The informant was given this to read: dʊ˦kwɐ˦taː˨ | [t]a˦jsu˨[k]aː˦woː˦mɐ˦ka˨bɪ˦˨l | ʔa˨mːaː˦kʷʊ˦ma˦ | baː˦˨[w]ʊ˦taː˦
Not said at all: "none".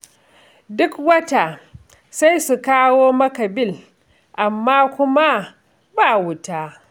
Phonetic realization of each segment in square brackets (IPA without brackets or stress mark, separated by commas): s, k, w